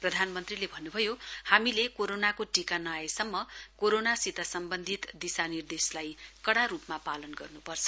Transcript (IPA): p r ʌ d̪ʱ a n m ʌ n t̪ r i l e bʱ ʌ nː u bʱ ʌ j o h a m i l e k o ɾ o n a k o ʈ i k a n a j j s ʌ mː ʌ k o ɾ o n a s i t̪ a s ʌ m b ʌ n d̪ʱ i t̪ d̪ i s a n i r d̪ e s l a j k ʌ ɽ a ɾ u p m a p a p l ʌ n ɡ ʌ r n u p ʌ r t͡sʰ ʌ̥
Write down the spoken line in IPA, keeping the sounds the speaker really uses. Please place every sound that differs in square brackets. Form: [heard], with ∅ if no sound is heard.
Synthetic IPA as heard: p r ʌ d̪ʱ a n m ʌ n t̪ r i l e bʱ ʌ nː u bʱ ʌ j o h a m i l e k o ɾ o n a k o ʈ i k a n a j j s ʌ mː ʌ k o ɾ o n a s i t̪ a s ʌ m b ʌ n d̪ʱ i t̪ d̪ i s a n i r d̪ e s l a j k ʌ ɽ a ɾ u p m a p a [∅] l ʌ n ɡ ʌ r n u p ʌ r t͡sʰ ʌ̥